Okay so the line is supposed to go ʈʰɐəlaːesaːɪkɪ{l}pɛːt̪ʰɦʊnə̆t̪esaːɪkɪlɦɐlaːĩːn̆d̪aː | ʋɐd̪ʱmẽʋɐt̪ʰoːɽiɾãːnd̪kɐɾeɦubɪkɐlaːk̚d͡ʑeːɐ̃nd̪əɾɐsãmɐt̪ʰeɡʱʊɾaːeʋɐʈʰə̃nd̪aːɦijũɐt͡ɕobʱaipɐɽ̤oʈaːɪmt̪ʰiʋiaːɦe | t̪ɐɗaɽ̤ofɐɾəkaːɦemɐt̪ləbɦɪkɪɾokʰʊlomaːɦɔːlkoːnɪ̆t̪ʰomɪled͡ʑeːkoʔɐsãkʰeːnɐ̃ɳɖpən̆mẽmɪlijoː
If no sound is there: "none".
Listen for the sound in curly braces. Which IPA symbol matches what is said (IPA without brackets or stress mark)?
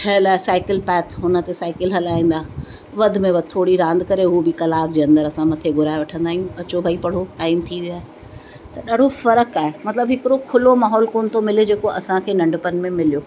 l